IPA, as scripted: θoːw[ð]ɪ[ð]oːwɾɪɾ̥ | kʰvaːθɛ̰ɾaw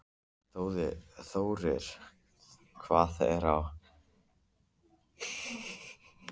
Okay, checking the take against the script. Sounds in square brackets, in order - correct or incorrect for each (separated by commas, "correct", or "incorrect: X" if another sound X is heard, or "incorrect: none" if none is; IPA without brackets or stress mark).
correct, incorrect: θ